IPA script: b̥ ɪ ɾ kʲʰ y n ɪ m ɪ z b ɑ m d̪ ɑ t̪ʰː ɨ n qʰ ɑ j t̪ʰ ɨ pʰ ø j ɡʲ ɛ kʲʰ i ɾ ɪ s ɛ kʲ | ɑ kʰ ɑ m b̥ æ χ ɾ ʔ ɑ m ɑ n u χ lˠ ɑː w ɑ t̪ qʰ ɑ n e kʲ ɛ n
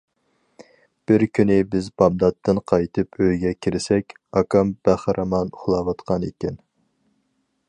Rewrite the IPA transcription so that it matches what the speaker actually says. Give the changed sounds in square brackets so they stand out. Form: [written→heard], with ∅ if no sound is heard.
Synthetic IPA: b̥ ɪ ɾ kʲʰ y n ɪ [m→b] ɪ z b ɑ m d̪ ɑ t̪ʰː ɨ n qʰ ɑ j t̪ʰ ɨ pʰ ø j ɡʲ ɛ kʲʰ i ɾ ɪ s ɛ kʲ | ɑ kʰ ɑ m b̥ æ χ ɾ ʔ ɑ m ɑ n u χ lˠ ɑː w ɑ t̪ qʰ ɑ n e kʲ ɛ n